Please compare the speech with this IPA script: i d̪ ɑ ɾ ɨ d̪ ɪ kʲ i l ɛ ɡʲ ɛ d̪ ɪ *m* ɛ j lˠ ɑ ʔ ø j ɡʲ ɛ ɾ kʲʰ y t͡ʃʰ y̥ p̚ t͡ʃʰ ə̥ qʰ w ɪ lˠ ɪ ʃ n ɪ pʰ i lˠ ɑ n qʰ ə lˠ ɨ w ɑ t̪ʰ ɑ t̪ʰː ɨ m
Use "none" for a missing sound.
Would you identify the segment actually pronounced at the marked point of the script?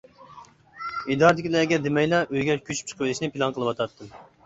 m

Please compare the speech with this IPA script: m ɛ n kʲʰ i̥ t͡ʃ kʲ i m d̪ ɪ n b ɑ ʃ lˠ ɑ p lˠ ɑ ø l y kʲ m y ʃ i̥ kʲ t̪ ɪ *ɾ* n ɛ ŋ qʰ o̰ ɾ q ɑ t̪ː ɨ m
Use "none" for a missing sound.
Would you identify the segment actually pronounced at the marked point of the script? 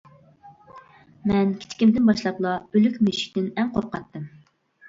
none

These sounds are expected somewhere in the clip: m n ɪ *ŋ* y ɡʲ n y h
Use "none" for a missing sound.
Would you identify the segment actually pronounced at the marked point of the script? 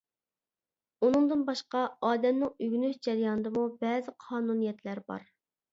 ŋ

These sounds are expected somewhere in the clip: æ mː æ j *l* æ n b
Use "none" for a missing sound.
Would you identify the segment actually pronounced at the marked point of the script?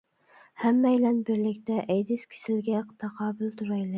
l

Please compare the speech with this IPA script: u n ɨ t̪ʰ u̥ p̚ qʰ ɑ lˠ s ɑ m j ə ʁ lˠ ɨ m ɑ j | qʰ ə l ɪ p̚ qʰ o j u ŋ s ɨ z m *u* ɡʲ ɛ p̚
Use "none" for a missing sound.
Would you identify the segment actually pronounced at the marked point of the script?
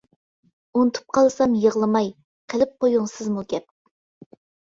u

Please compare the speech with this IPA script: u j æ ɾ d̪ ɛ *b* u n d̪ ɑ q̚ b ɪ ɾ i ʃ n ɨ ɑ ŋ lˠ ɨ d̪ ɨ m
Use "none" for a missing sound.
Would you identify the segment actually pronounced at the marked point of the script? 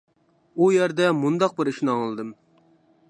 m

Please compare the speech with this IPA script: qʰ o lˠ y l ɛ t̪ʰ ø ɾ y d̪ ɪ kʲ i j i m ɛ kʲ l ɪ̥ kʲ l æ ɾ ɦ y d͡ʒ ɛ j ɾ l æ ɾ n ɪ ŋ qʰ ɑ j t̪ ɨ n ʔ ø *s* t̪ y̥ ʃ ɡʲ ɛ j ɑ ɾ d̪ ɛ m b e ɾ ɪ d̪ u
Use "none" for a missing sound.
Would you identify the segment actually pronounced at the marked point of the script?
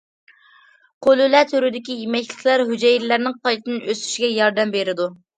s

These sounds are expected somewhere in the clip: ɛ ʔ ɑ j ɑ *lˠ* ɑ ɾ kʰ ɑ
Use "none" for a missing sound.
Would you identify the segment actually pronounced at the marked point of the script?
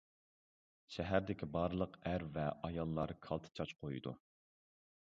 lˠː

